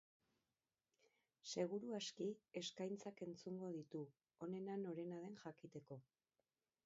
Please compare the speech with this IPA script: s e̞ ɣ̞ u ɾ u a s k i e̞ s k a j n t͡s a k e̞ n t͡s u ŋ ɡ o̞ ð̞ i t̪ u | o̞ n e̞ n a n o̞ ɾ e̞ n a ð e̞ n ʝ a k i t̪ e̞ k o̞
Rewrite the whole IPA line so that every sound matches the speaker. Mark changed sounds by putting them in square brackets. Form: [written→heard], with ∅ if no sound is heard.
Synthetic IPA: s e̞ ɣ̞ u ɾ u a s k i e̞ s k a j n t͡s a k e̞ n t͡s u ŋ ɡ o̞ ð̞ i t̪ u | o̞ n e̞ n a n o̞ ɾ e̞ n a ð e̞ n ʝ a k i t̪ e̞ k o̞